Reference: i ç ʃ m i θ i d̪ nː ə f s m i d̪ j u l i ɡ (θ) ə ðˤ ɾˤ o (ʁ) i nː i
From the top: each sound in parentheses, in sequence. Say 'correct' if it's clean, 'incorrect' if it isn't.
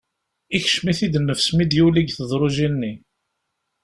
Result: correct, incorrect: ʒ

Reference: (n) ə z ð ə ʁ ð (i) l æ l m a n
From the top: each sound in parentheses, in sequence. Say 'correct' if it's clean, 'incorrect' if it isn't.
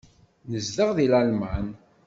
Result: correct, correct

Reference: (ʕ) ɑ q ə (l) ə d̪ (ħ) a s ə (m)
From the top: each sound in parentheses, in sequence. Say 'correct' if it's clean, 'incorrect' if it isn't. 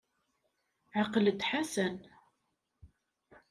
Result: correct, correct, correct, incorrect: n

